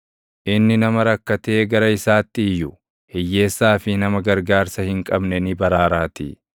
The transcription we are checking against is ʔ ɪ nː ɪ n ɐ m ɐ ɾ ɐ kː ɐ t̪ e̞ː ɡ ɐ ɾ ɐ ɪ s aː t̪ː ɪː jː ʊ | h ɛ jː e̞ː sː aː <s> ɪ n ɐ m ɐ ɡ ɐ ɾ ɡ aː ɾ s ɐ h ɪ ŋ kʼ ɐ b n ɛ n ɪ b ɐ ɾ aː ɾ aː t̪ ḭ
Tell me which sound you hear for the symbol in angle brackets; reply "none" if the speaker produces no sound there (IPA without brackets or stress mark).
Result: f